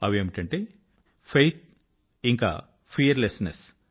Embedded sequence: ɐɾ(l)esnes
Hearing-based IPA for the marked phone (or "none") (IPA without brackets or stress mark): l